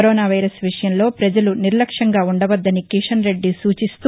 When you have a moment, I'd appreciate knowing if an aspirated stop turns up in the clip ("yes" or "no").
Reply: no